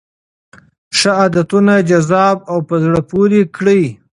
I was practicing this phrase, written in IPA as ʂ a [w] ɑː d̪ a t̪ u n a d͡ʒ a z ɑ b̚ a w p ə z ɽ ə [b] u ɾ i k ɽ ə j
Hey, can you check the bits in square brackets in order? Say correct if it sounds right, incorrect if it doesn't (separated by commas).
incorrect, incorrect